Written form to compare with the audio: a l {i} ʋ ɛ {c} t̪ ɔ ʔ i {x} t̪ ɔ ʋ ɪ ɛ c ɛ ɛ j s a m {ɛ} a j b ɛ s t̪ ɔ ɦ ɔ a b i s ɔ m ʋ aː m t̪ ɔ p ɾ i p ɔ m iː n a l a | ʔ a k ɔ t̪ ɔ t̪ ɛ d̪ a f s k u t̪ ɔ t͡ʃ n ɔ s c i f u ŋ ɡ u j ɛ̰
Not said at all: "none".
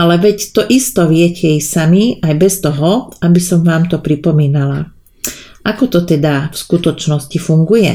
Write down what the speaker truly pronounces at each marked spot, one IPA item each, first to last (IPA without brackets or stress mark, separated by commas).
ɛ, c, s, i